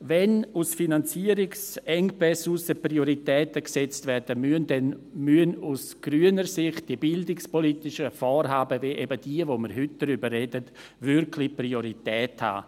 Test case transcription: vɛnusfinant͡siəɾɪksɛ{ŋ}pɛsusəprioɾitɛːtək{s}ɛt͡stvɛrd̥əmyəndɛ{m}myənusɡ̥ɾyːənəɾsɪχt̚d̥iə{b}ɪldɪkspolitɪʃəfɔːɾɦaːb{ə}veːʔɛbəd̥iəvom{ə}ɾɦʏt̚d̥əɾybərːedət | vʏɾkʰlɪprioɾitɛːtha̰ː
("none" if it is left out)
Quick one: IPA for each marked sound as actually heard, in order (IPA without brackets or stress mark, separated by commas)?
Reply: ŋ, s, n, b, ə, ə